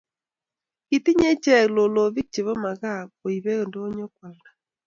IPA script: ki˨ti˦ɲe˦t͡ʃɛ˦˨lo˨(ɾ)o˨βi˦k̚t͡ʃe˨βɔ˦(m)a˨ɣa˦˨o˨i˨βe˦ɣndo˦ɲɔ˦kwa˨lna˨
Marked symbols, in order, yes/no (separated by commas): no, yes